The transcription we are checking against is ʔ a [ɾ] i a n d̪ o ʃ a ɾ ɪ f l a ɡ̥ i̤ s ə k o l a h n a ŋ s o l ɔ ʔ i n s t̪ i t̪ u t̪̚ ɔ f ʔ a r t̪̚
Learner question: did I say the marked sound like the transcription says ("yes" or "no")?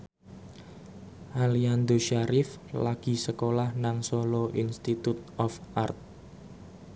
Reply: no